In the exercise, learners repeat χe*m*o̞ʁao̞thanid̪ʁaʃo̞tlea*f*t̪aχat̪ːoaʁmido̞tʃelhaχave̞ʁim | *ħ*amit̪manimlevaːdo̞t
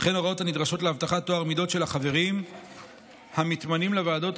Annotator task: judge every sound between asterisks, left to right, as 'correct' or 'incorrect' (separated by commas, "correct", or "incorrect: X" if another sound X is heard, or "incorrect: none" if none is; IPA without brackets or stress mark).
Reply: incorrect: n, incorrect: v, incorrect: h